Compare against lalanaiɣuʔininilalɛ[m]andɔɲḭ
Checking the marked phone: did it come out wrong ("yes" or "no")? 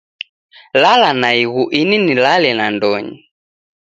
yes